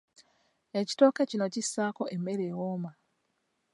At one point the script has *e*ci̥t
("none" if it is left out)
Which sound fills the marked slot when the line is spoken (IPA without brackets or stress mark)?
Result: e